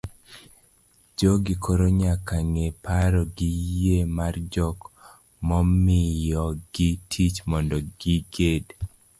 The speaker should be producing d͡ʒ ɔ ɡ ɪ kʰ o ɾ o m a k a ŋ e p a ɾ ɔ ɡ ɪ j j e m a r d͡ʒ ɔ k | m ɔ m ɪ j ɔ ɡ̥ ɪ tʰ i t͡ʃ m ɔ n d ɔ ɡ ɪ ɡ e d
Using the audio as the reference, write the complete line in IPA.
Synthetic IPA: d͡ʒ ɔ ɡ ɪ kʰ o ɾ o ɲ a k a ŋ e p a ɾ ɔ ɡ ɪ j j e m a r d͡ʒ ɔ k | m ɔ m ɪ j ɔ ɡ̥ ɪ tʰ i t͡ʃ m ɔ n d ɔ ɡ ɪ ɡ e d